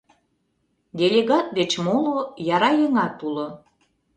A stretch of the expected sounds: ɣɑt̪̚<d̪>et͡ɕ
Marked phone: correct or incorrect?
correct